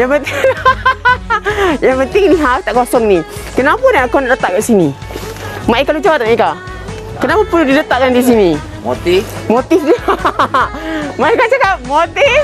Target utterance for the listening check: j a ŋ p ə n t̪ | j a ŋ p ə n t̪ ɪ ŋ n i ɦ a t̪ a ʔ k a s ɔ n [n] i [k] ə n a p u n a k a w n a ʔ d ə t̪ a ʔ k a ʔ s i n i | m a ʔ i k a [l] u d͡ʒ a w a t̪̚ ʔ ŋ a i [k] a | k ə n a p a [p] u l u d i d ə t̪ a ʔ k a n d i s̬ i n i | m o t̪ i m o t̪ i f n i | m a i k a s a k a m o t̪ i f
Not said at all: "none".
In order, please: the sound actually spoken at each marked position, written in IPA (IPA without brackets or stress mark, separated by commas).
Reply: n, k, l, k, p